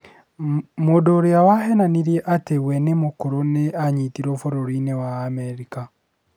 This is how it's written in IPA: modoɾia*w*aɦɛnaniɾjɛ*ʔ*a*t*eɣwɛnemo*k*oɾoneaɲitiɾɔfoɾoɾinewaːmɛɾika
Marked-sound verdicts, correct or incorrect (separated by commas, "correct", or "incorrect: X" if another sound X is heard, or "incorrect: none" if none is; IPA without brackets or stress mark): correct, correct, correct, correct